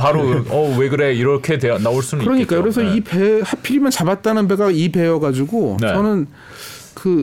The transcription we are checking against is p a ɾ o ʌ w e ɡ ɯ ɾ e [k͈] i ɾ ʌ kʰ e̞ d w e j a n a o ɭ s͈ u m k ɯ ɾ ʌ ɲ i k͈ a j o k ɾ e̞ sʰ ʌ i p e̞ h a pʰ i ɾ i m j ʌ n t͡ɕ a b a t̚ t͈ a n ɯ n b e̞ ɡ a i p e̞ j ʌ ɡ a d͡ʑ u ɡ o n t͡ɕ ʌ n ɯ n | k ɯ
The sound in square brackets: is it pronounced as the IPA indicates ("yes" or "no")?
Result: no